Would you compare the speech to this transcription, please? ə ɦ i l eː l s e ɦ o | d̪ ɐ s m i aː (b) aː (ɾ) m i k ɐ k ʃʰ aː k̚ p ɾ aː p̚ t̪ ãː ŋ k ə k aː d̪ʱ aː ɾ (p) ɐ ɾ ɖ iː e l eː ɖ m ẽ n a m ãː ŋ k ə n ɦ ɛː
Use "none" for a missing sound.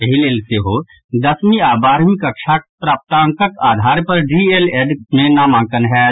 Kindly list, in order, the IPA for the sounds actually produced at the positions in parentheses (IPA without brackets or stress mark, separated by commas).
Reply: b, ɾ, p